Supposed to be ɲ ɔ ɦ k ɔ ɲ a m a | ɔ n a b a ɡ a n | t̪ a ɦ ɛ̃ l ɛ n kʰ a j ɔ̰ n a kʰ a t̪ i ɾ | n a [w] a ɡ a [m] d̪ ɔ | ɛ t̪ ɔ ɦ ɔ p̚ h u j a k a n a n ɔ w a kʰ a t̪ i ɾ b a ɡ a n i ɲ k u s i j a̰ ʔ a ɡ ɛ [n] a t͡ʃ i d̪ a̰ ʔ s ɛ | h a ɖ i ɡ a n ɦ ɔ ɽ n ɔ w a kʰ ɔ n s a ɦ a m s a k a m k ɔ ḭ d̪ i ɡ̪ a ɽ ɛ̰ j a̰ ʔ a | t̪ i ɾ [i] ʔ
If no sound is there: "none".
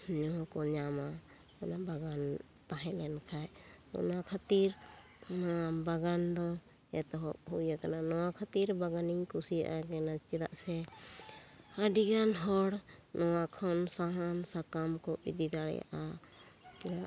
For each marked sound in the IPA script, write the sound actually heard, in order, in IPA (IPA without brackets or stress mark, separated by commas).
b, n, n, a